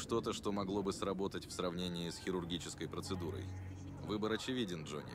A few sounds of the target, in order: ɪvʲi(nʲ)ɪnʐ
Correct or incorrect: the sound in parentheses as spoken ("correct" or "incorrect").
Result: incorrect